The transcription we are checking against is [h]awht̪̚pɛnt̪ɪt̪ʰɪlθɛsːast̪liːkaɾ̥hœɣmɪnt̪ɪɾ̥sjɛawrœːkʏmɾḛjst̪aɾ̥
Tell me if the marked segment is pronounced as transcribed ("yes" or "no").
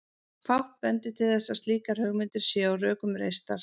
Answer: no